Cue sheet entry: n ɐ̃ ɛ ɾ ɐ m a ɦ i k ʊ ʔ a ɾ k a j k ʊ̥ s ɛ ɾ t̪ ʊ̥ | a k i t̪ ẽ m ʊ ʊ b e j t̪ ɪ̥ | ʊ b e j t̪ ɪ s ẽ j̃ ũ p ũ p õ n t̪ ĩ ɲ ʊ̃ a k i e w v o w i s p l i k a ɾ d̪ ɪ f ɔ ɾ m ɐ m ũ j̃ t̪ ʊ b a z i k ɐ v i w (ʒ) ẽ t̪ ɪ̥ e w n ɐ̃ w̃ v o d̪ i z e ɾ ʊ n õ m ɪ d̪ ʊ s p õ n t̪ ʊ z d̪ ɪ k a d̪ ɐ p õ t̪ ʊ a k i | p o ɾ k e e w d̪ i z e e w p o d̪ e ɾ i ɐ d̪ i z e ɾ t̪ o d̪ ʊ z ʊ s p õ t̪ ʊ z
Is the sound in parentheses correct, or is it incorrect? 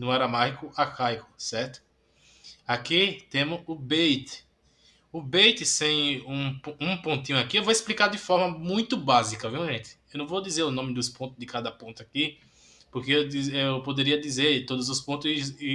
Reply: correct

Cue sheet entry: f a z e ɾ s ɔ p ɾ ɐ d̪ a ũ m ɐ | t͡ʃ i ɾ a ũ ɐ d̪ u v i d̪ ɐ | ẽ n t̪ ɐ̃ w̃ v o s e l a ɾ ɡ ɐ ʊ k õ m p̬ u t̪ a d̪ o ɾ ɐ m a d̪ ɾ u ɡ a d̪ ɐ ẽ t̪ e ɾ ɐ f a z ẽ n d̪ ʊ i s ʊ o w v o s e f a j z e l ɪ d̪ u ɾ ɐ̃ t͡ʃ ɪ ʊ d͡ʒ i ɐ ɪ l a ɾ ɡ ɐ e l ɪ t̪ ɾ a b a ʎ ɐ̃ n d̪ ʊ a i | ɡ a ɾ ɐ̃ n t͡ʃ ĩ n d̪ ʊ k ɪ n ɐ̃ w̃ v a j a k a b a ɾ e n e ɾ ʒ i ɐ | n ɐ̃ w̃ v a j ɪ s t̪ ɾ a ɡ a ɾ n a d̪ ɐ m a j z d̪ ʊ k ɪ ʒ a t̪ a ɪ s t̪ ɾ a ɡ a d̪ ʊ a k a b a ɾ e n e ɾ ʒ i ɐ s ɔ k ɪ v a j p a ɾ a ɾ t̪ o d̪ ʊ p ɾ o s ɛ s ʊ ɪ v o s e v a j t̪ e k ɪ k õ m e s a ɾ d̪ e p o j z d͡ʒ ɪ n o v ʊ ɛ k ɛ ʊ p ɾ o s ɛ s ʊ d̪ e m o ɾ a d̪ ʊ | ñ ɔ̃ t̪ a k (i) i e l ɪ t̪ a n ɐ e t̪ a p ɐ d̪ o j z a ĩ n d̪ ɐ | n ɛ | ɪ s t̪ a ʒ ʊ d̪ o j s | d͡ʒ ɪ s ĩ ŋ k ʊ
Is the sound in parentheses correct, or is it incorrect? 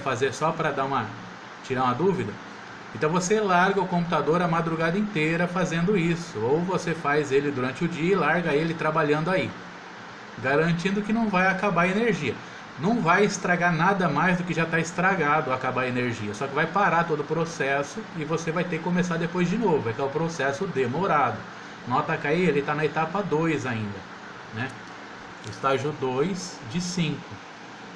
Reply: incorrect: a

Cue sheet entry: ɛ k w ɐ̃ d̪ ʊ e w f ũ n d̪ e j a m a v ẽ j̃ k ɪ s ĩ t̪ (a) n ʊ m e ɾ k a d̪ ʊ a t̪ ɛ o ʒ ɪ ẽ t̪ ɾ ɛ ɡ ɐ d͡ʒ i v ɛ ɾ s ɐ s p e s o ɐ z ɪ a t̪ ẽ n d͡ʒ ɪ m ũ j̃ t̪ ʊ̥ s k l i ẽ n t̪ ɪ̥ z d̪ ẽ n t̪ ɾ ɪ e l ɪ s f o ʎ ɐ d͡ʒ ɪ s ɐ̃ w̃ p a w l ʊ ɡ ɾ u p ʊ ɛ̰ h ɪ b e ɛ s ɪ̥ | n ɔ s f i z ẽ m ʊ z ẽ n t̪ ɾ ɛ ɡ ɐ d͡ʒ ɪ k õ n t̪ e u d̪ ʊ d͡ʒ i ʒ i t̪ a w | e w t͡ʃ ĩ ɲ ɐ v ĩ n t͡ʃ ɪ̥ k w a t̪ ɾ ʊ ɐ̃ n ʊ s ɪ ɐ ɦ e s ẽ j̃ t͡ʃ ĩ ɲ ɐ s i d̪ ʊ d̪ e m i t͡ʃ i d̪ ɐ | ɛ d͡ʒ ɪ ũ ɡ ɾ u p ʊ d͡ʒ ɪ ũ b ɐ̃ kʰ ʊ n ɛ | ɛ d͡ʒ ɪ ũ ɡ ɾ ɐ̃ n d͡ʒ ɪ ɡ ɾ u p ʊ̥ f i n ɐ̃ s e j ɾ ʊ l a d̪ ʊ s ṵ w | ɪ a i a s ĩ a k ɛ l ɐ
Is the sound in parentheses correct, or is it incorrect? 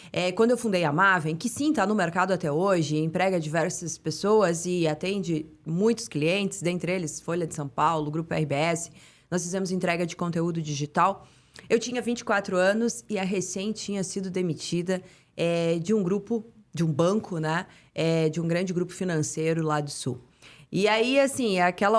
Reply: correct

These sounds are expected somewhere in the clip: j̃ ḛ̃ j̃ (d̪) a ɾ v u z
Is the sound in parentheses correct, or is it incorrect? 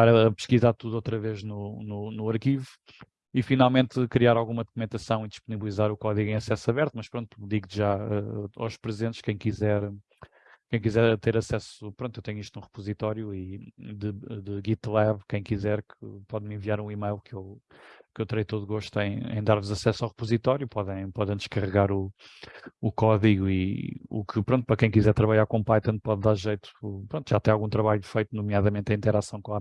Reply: correct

